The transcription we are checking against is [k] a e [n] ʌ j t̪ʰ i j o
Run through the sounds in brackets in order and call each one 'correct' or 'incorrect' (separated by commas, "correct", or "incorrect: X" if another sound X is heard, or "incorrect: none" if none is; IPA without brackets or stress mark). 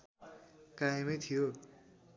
correct, incorrect: m